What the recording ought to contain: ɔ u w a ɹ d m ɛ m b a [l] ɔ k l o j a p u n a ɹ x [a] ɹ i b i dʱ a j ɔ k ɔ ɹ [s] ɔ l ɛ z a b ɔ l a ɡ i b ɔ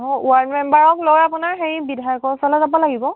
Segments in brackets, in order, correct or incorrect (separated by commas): incorrect, incorrect, correct